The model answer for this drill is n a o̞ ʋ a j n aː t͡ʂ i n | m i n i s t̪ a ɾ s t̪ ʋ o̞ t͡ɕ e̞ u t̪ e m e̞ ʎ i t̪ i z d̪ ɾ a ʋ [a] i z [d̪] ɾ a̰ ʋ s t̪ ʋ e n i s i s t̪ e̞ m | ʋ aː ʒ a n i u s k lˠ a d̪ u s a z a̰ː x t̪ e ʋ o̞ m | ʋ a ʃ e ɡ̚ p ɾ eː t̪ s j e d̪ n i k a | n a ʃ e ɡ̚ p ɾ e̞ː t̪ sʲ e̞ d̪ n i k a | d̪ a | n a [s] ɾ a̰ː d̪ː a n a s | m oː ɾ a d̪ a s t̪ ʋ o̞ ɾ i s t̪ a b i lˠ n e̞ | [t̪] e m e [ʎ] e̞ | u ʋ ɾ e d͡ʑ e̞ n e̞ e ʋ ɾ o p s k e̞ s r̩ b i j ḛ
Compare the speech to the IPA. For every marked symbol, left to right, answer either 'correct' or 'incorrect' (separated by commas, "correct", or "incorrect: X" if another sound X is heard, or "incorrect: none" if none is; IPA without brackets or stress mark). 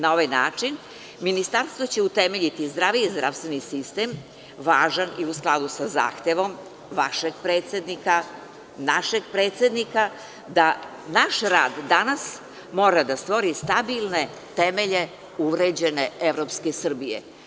incorrect: i, correct, incorrect: ʃ, correct, correct